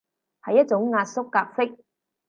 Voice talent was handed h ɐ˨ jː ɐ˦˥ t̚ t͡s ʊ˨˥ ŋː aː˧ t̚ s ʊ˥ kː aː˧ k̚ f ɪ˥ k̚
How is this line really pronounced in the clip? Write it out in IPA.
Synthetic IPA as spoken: h ɐ˨ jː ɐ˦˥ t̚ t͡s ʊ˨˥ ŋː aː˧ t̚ s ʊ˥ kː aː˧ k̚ f ɪ˥ k̚